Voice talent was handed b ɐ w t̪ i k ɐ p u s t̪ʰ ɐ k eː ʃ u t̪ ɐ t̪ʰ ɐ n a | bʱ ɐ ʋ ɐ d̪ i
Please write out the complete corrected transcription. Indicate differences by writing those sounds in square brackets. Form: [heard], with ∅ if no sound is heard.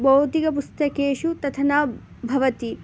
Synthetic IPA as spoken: b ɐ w t̪ i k ɐ p u s [t̪] ɐ k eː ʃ u t̪ ɐ t̪ʰ ɐ n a | bʱ ɐ ʋ ɐ [t̪] i